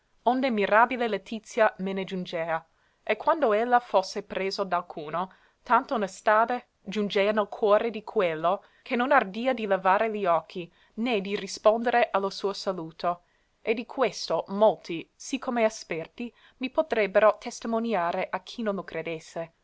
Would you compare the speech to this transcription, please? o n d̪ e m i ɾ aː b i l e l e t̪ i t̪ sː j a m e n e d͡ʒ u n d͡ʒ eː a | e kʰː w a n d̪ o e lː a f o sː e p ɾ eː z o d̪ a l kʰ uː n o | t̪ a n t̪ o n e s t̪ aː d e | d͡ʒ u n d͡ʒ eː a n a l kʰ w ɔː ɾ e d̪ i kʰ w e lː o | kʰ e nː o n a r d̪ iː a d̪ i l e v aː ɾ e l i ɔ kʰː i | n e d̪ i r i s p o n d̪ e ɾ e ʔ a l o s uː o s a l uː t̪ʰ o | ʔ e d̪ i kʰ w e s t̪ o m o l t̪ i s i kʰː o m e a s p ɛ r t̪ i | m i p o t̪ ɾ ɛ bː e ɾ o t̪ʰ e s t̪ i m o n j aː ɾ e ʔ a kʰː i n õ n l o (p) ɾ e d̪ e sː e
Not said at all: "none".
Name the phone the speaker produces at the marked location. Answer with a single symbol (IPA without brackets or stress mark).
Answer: k